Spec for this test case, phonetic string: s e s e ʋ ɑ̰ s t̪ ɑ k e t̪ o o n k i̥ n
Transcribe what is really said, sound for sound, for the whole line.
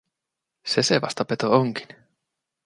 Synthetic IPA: s e s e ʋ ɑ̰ s t̪ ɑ p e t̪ o o ŋ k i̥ n